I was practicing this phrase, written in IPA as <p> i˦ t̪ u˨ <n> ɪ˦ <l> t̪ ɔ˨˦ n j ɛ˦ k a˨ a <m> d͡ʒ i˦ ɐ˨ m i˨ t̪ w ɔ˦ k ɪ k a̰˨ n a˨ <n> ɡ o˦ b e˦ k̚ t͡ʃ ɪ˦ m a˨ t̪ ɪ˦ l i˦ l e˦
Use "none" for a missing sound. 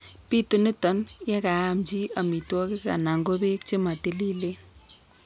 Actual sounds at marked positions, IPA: p, n, none, m, ŋ

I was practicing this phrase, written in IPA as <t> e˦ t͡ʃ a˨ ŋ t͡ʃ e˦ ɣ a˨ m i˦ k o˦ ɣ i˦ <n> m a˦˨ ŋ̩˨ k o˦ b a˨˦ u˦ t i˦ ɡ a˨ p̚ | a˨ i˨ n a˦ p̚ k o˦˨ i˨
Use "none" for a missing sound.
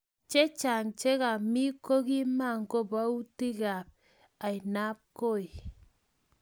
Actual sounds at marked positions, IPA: t͡ʃ, none

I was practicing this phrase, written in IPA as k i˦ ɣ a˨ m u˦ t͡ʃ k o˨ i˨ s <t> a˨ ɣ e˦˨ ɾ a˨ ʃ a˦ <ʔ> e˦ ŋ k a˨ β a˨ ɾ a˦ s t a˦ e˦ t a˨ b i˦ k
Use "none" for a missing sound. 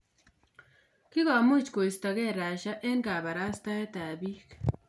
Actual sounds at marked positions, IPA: t, ʔ

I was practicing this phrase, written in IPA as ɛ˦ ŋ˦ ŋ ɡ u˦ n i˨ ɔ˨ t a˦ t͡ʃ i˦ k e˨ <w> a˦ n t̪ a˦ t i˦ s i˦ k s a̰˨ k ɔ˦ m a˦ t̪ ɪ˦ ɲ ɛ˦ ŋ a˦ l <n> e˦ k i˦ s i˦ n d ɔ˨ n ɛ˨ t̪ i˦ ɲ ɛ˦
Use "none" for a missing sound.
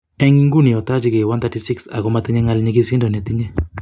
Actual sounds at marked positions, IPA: w, ɲ

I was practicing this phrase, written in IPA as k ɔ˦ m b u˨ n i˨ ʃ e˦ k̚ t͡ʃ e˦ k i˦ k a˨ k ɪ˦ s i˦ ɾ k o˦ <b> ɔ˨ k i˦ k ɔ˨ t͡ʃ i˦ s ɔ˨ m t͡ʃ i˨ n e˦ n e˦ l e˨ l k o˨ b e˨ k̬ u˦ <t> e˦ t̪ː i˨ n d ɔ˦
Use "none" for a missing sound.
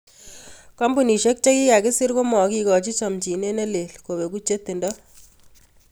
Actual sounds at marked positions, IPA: m, t͡ʃ

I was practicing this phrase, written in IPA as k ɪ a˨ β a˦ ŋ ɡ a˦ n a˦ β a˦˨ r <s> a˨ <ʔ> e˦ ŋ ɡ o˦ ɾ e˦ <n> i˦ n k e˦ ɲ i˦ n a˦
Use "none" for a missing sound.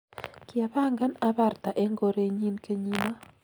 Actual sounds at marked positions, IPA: t, ʔ, ɲ

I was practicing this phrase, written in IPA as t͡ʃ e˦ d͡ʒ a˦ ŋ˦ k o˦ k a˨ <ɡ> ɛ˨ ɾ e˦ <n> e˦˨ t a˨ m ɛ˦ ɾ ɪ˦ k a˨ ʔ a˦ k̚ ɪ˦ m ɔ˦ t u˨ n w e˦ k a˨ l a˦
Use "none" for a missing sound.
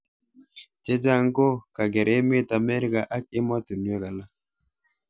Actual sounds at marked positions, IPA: ɡ, m

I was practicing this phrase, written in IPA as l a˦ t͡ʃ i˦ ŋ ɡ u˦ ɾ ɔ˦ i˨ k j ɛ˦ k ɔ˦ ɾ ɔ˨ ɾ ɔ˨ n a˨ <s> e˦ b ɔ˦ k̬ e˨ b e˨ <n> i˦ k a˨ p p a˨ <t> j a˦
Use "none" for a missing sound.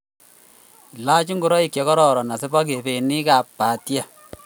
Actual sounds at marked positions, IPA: s, n, t

